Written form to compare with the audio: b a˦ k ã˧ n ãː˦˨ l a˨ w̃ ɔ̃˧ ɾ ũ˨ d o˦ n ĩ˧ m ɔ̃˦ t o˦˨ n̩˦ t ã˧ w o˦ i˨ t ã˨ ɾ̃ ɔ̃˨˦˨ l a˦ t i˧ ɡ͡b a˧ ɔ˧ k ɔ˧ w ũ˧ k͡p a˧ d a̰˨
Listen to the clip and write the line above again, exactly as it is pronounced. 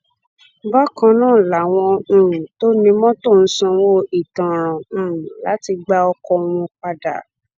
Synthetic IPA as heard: b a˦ k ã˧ n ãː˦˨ l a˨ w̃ ɔ̃˧ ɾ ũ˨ t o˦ n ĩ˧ m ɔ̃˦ t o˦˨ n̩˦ s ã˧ w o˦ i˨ t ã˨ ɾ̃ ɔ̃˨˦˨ l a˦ t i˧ ɡ͡b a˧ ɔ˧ k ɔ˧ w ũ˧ k͡p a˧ d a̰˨